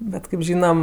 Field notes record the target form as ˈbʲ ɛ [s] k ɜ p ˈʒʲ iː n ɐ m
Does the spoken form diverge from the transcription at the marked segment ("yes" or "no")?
yes